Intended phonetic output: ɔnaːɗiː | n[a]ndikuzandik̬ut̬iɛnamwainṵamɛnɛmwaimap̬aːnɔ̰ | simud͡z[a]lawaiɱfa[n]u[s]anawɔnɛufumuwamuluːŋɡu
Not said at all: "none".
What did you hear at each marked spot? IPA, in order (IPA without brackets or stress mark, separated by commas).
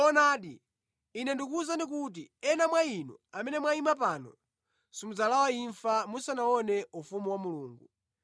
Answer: ɛ, a, m, s